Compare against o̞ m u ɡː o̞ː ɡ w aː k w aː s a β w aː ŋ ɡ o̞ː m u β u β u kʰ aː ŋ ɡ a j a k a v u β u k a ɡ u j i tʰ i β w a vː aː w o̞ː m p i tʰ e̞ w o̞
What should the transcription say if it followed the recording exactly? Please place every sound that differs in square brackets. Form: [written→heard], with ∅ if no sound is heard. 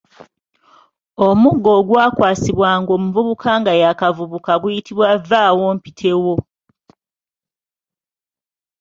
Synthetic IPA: o̞ m u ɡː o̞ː ɡ w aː k w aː s [a→i] β w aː ŋ ɡ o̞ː m u [β→v] u β u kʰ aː ŋ ɡ a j a k a v u β u k a ɡ u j i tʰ i β w a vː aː w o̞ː m p i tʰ e̞ w o̞